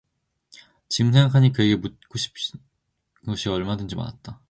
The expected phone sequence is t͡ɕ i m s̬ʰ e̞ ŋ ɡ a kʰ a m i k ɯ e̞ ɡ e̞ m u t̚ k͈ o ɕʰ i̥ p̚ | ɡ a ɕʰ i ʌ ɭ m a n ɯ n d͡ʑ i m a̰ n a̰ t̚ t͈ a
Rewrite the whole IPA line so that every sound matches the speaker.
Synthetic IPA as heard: t͡ɕ i m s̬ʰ e̞ ŋ ɡ a kʰ a ɲ i k ɯ e̞ ɡ e̞ m u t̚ k͈ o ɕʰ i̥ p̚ | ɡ ʌ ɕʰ i ʌ ɭ m a d ɯ n d͡ʑ i m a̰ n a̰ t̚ t͈ a